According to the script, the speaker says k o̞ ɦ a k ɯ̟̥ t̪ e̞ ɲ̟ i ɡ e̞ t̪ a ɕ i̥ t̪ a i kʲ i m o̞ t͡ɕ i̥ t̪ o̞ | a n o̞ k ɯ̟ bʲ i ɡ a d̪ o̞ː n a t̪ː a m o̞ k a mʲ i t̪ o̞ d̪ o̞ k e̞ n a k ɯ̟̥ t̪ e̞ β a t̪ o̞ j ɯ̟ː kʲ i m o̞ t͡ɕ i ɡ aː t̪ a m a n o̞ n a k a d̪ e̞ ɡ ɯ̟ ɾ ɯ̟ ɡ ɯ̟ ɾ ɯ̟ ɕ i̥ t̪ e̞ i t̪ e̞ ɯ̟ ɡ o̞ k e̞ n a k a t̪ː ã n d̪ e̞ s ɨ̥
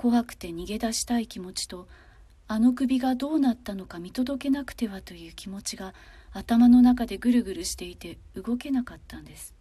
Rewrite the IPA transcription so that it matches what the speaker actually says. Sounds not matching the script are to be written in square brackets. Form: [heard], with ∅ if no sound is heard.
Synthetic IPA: k o̞ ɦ a k ɯ̟̥ t̪ e̞ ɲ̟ i ɡ e̞ [d̪] a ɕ i̥ t̪ a i kʲ i m o̞ t͡ɕ i̥ t̪ o̞ | a n o̞ k ɯ̟ bʲ i ɡ a d̪ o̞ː n a t̪ː a [n] o̞ k a mʲ i t̪ o̞ d̪ o̞ k e̞ n a k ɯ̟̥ t̪ e̞ β a t̪ o̞ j ɯ̟ː kʲ i m o̞ t͡ɕ i ɡ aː t̪ a m a n o̞ n a k a d̪ e̞ ɡ ɯ̟ ɾ ɯ̟ ɡ ɯ̟ ɾ ɯ̟ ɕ i̥ t̪ e̞ i t̪ e̞ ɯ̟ ɡ o̞ k e̞ n a k a t̪ː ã n d̪ e̞ s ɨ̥